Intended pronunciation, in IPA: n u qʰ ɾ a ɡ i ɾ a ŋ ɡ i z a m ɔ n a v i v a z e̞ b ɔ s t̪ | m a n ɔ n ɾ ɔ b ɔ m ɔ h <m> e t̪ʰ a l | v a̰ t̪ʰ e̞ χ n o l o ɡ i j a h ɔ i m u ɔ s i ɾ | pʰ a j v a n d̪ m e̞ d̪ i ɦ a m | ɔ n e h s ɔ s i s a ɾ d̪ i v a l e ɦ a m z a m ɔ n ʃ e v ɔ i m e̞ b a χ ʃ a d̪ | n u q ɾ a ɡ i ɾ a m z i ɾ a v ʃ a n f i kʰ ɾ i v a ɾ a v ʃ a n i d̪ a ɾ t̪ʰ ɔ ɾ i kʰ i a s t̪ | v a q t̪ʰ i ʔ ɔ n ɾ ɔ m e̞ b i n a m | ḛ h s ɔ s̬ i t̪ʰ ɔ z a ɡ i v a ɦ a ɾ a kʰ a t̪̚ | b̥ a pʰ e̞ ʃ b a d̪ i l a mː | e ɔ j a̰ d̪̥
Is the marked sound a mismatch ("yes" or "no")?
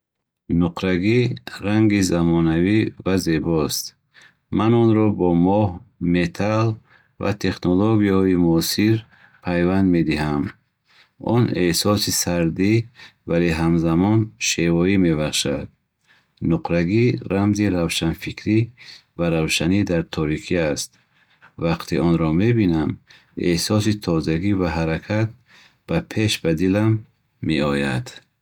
no